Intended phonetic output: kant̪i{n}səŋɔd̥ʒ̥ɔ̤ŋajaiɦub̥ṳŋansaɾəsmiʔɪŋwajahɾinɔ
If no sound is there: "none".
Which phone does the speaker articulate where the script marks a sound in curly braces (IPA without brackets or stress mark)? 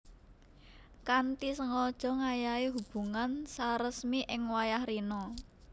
none